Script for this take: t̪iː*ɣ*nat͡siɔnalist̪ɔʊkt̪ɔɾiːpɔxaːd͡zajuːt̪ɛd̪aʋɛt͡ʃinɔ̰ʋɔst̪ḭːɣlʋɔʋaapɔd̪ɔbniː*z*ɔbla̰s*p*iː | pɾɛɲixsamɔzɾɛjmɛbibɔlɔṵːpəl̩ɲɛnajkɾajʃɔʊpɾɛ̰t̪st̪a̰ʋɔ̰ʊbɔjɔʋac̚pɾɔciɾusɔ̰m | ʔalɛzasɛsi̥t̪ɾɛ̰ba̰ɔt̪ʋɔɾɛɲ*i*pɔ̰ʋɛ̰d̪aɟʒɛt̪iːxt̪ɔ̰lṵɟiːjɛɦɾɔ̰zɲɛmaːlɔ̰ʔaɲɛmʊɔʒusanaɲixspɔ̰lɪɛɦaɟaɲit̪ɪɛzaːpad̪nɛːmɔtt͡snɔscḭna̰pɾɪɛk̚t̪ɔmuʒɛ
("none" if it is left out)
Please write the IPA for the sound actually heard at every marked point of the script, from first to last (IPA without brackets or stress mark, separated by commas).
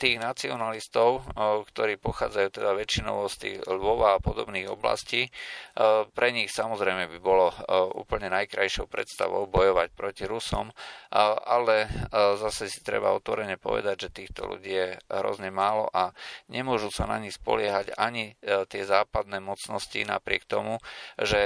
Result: ɣ, ɣ, c, ɛ